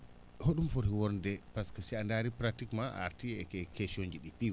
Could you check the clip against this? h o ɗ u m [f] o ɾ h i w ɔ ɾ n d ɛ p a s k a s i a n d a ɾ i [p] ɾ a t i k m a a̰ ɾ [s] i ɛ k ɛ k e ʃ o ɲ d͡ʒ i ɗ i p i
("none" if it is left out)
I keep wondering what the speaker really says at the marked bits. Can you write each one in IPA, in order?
f, p, t

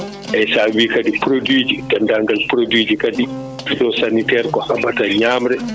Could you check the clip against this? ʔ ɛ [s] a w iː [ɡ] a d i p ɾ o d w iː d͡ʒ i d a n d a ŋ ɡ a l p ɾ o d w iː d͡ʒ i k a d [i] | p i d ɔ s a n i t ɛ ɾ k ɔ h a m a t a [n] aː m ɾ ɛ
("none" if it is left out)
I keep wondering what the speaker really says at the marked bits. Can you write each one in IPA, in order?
s, k, i, ɲ

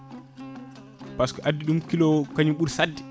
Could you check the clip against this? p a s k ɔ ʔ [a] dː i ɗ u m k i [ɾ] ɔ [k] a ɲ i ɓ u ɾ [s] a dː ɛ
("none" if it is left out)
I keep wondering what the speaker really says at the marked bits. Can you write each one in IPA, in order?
a, l, k, s

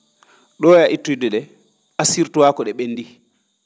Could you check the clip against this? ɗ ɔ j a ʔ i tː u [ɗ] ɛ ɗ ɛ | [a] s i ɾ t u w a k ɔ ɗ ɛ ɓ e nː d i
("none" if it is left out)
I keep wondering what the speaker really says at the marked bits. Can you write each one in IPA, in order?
d, a

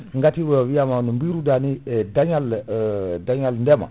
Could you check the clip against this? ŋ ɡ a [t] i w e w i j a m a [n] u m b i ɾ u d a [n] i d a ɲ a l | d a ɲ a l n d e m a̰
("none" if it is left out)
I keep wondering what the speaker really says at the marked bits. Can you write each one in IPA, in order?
t, n, n

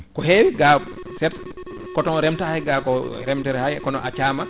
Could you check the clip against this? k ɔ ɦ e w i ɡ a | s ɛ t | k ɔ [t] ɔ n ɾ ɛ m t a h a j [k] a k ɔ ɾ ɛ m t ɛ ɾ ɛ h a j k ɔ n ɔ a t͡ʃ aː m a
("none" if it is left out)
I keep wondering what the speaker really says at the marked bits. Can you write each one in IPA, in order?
t, ɡ

